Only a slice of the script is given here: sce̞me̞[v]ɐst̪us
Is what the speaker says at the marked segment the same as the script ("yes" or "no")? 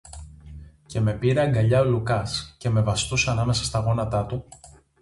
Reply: yes